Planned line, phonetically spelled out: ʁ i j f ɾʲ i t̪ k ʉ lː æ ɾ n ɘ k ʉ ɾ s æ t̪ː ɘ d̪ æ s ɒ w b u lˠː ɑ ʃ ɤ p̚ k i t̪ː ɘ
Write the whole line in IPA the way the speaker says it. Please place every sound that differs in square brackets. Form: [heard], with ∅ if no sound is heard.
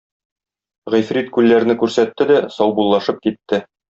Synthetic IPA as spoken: ʁ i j f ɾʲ i t̪ k ʉ lː æ ɾ n ɘ k ʉ ɾ s æ t̪ː ɘ d̪ æ s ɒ w b u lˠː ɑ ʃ ɤ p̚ k i t̪ː ɘ